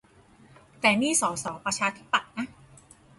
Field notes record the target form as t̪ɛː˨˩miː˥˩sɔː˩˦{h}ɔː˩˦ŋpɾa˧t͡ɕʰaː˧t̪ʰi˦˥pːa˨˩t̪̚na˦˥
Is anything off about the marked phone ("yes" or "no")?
yes